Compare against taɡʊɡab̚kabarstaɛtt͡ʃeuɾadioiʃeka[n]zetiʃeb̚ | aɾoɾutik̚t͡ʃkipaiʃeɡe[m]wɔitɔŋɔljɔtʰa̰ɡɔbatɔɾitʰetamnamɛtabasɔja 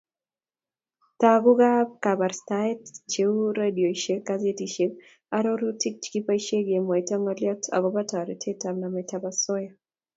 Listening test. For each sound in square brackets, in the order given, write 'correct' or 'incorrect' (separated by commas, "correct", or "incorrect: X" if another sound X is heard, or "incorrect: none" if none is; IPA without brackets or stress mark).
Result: incorrect: none, correct